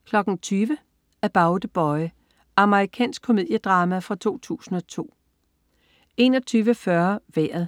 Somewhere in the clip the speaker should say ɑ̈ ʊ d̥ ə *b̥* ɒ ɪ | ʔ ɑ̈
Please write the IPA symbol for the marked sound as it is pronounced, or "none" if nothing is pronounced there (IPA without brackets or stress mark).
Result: b̥